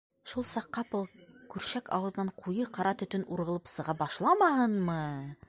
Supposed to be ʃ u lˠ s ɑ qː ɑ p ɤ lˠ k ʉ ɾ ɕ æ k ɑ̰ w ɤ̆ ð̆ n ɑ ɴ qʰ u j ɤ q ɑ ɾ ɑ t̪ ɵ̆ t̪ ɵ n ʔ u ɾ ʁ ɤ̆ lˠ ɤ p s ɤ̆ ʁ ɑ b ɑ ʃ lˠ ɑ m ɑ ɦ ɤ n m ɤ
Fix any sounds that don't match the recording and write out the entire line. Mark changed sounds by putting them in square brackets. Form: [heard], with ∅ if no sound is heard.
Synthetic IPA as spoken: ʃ u lˠ s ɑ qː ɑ p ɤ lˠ k ʉ ɾ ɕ æ k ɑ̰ w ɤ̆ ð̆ n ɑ ɴ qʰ u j ɤ q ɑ ɾ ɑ t̪ ɵ̆ t̪ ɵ n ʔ u ɾ ʁ ɤ̆ lˠ ɤ p s ɤ̆ ʁ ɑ b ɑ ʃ lˠ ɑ m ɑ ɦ ɤ n m ɤ